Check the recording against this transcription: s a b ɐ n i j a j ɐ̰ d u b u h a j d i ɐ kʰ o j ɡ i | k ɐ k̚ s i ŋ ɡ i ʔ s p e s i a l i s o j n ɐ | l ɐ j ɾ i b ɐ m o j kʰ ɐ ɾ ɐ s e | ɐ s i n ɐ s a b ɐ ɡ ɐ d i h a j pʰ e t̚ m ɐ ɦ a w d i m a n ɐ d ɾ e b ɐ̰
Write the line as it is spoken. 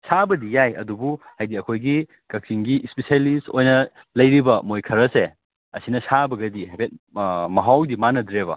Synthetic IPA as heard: s a b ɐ d i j a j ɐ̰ d u b u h a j d i ɐ kʰ o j ɡ i | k ɐ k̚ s i ŋ ɡ i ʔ s p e s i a l i s o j n ɐ | l ɐ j ɾ i b ɐ m o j kʰ ɐ ɾ ɐ s e | ɐ s i n ɐ s a b ɐ ɡ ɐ d i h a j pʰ e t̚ m ɐ ɦ a w d i m a n ɐ d ɾ e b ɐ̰